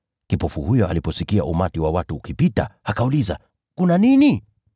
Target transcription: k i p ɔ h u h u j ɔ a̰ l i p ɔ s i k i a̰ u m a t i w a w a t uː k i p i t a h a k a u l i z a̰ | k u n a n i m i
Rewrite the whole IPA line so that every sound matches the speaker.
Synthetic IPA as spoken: k i p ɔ f u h u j ɔ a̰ l i p ɔ s i k i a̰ u m a t i w a w a t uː k i p i t a h a k a u l i z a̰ | k u n a n i n i

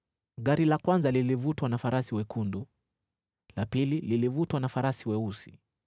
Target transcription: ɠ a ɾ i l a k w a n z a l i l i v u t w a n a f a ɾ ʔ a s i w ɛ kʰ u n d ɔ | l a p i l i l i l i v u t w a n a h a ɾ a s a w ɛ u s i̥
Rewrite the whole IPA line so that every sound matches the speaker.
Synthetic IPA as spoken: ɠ a ɾ i l a k w a n z a l i l i v u t w a n a f a ɾ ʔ a s i w ɛ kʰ u n d u | l a p i l i l i l i v u t w a n a f a ɾ a s i w ɛ u s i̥

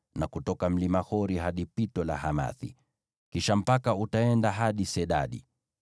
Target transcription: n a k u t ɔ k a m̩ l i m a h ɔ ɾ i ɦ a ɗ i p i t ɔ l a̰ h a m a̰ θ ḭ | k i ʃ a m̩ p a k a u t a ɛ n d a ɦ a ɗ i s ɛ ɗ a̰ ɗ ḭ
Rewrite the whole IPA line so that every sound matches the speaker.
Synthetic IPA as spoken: n a k u t ɔ k a m̩ l i m a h ɔ ɾ i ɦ a ɗ i p i t ɔ l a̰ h a m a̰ θ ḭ | k i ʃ a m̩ p a k a u t a ɛ n d a ɦ a ɗ i s ɛ ɗ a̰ ɗ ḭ

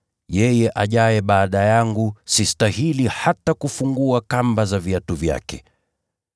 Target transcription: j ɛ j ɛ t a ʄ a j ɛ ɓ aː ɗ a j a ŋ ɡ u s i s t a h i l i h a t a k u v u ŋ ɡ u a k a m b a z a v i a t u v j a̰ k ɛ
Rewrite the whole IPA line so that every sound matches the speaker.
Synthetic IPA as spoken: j ɛ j ɛ ʔ a ʄ a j ɛ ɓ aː ɗ a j a ŋ ɡ u s i s t a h i l i h a t a k u f u ŋ ɡ u a k a m b a z a v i a t u v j a̰ k ɛ

